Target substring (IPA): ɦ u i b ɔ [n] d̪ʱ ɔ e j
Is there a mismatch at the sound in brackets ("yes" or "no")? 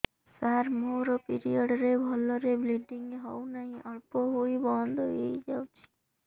no